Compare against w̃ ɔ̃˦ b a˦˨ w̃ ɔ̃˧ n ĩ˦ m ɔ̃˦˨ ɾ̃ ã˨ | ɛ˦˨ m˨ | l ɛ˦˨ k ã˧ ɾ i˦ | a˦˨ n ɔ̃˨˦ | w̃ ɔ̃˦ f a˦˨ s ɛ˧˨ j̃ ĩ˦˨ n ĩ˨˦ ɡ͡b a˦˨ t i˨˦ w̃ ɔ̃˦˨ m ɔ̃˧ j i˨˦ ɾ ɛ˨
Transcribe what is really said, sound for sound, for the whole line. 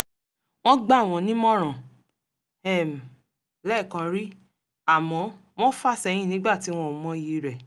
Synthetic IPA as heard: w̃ ɔ̃˦ ɡ͡b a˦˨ w̃ ɔ̃˧ n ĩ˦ m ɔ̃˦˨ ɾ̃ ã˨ | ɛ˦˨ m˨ | l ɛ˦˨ k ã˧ ɾ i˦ | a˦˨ m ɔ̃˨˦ | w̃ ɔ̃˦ f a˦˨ s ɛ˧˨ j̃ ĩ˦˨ n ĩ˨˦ ɡ͡b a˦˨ t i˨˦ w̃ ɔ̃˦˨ m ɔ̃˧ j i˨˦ ɾ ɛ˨